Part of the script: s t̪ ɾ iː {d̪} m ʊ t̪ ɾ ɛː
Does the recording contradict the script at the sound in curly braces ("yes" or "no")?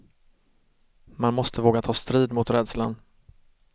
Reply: no